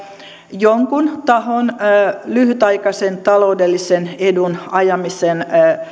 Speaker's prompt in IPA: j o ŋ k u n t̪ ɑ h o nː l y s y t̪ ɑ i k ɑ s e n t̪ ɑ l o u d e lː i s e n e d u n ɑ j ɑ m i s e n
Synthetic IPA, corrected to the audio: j o ŋ k u n t̪ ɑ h o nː l y h y t̪ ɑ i k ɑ s e n t̪ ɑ l o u d e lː i s e n e d u n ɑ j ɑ m i s e n